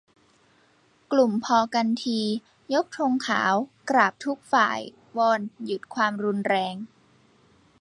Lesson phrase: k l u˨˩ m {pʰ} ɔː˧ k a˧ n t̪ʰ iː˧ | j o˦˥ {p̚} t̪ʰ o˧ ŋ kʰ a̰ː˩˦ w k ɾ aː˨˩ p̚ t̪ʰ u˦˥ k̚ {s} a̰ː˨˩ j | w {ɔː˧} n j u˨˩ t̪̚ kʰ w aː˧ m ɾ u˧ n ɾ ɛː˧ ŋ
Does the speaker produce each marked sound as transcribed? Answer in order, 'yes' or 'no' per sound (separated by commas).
yes, no, no, yes